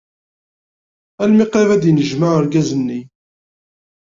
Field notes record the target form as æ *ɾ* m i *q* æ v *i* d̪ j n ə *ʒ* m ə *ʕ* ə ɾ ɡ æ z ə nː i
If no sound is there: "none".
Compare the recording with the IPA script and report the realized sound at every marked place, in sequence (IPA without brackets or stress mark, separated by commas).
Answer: l, q, æ, ʒ, ʕ